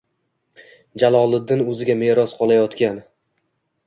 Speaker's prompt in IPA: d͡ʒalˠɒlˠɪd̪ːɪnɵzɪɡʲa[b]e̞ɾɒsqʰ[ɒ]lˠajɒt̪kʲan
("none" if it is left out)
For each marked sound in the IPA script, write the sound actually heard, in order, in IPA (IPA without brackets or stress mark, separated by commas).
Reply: m, ɒ